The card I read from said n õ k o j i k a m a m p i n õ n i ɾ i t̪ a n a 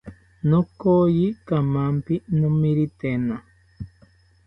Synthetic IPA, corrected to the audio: n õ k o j i k a m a m p i n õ m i ɾ i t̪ e n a